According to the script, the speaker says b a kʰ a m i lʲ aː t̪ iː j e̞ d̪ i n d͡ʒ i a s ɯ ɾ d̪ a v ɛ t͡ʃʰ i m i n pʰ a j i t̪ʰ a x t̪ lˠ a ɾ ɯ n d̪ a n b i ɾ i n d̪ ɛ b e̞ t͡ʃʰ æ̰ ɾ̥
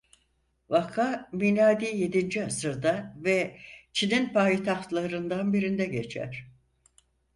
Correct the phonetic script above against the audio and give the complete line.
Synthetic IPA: v a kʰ a m i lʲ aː d̪ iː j e̞ d̪ i n d͡ʒ i a s ɯ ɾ d̪ a v ɛ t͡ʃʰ i n i n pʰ a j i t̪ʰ a x t̪ lˠ a ɾ ɯ n d̪ a n b i ɾ i n d̪ ɛ ɟ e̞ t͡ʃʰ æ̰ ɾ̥